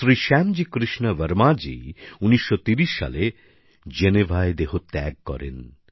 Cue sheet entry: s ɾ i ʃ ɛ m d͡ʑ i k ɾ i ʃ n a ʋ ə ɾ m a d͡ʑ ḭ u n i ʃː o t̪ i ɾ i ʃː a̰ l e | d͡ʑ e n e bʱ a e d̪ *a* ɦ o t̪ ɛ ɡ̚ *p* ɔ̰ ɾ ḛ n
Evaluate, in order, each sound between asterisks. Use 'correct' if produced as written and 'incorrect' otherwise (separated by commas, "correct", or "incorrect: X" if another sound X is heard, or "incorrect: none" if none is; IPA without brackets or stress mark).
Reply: incorrect: e, incorrect: k